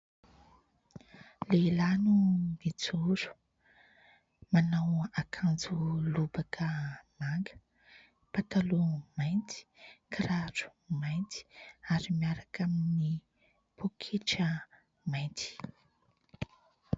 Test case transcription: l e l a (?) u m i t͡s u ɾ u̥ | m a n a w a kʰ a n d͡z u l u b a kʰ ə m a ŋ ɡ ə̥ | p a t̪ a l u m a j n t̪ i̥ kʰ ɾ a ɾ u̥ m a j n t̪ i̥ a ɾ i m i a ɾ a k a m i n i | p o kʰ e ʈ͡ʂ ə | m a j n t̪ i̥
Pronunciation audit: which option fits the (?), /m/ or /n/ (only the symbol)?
n